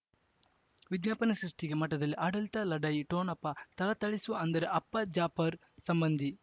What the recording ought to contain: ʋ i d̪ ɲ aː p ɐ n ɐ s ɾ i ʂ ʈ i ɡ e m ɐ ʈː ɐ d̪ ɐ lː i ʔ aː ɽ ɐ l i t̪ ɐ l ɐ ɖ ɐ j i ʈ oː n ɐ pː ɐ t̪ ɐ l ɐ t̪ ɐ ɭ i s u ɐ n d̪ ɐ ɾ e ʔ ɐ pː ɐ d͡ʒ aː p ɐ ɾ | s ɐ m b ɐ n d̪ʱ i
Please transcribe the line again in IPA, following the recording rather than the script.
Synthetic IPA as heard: ʋ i d̪ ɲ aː p ɐ n ɐ s ɾ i ʂ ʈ i ɡ e m ɐ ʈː ɐ d̪ ɐ lː i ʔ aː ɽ ɐ l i t̪ ɐ l ɐ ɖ ɐ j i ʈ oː n ɐ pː ɐ t̪ ɐ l ɐ t̪ ɐ ɭ i s u ɐ n d̪ ɐ ɾ e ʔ ɐ pː ɐ d͡ʒ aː p ɐ ɾ | s ɐ m b ɐ n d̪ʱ i

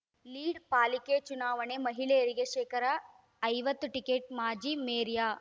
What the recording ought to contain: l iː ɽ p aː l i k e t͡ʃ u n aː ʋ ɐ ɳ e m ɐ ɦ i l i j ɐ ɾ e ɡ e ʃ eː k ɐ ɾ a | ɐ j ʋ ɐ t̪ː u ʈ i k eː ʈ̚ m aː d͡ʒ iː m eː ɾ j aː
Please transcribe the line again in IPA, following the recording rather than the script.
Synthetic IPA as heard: l iː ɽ p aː l i k e t͡ʃ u n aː ʋ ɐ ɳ e m ɐ ɦ i l e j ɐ ɾ i ɡ e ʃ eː k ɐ ɾ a | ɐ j ʋ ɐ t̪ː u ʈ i k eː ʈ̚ m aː d͡ʒ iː m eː ɾ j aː

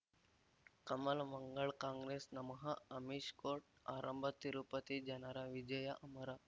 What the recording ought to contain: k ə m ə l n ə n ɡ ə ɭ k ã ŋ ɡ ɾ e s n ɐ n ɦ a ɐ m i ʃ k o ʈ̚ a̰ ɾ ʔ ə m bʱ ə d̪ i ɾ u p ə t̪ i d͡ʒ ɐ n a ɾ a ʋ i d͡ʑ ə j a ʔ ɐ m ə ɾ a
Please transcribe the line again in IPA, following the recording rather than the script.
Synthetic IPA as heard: k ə m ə l m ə ŋ ɡ ə ɭ k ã ŋ ɡ ɾ e s n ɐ m ɦ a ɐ m i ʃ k o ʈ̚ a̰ ɾ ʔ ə m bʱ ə t̪ i ɾ u p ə t̪ i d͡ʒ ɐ n a ɾ a ʋ i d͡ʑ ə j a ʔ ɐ m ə ɾ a

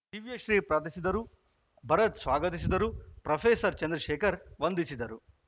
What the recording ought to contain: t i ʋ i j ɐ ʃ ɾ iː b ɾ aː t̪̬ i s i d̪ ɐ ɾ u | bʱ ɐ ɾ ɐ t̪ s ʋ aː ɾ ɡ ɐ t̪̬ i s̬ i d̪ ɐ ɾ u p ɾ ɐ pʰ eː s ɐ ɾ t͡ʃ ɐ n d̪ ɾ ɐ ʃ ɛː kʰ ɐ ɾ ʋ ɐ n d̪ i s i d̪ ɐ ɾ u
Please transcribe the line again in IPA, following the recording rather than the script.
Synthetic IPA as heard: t i ʋ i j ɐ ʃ ɾ iː p ɾ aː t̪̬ i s i d̪ ɐ ɾ u | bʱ ɐ ɾ ɐ t̪ s ʋ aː ɡ ɐ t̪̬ i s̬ i d̪ ɐ ɾ u p ɾ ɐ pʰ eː s ɐ ɾ t͡ʃ ɐ n d̪ ɾ ɐ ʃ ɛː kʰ ɐ ɾ ʋ ɐ n d̪ i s i d̪ ɐ ɾ u

